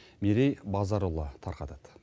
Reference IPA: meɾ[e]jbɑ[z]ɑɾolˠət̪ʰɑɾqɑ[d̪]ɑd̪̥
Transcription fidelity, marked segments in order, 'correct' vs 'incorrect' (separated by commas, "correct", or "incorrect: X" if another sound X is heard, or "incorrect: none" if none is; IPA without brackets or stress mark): correct, correct, incorrect: t̪